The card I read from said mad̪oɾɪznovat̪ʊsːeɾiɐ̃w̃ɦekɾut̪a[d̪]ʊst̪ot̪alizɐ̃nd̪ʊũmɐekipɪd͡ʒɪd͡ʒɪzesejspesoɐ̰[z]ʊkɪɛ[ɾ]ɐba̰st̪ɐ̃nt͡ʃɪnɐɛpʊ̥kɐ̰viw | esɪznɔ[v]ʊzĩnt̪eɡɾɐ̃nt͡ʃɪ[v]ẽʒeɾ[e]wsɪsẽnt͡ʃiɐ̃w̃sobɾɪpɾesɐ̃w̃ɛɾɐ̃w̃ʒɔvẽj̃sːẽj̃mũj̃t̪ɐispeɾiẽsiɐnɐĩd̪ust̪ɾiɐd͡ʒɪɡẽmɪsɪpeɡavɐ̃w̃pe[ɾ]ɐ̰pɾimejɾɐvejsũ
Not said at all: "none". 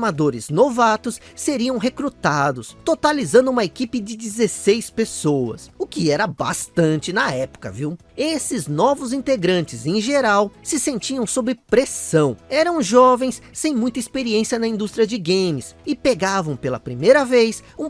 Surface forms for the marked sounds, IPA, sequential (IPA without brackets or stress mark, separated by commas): d̪, s, ɾ, v, z, a, l